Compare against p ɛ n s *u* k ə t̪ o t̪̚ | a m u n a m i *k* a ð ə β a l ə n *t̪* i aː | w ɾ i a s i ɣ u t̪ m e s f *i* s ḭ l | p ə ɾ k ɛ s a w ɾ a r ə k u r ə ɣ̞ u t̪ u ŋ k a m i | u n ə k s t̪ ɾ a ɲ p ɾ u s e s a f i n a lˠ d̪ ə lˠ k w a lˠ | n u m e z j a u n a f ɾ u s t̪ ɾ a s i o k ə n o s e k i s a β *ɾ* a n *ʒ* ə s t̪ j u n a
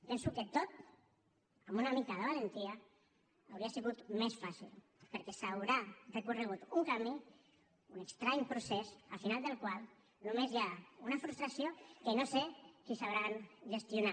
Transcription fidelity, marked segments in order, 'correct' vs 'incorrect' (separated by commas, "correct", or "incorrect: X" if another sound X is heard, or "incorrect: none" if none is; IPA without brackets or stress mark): correct, correct, correct, incorrect: a, correct, correct